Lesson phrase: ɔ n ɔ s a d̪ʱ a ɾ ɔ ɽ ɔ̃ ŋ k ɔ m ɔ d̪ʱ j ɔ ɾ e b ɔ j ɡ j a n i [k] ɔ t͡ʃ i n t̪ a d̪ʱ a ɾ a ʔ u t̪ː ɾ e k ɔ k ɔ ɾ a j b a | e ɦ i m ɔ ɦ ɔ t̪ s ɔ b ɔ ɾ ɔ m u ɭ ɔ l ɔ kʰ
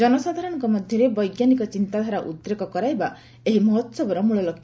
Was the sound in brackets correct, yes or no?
yes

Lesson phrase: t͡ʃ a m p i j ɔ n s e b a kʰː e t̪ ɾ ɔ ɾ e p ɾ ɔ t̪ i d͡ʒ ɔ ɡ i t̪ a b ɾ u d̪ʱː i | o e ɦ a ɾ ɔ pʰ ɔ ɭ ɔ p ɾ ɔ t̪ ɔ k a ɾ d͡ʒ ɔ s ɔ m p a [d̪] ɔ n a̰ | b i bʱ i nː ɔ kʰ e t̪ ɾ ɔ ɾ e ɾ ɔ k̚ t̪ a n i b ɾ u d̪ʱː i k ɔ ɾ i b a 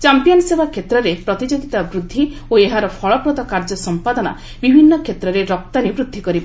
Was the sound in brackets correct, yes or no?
yes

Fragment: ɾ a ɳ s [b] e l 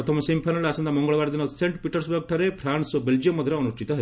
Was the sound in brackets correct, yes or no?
yes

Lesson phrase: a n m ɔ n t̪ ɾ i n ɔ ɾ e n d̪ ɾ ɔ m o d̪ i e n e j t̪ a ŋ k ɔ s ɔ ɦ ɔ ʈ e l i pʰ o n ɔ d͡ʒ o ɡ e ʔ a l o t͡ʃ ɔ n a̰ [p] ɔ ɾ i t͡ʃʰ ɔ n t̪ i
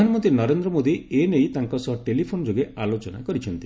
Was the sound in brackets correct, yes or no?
no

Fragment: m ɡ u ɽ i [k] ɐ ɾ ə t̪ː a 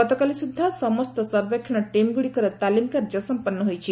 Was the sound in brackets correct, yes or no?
yes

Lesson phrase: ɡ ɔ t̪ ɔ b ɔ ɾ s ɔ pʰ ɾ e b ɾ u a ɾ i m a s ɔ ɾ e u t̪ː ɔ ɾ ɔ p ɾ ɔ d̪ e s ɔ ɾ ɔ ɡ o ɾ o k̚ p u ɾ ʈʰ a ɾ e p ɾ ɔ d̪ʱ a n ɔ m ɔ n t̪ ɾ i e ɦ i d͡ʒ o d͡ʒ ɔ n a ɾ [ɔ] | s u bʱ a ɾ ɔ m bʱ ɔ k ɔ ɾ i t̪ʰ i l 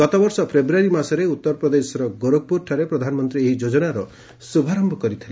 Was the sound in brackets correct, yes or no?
yes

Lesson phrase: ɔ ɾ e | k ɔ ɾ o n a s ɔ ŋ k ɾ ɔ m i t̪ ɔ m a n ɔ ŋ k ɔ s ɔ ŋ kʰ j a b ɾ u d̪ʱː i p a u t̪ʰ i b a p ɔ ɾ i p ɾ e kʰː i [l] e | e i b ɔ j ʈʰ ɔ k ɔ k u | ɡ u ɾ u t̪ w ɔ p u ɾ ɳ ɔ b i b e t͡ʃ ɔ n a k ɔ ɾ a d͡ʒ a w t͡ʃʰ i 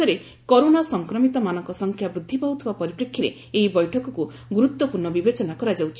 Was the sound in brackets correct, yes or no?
no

